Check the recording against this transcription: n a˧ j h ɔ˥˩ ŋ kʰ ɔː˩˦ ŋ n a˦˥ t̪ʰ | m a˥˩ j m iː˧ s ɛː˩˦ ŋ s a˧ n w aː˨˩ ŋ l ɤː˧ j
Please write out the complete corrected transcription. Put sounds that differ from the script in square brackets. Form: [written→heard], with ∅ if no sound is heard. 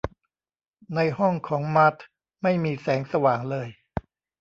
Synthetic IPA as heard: n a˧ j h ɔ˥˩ ŋ kʰ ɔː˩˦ ŋ [n→m] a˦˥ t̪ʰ | m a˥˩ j m iː˧ s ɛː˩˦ ŋ s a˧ [n→∅] w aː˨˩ ŋ l ɤː˧ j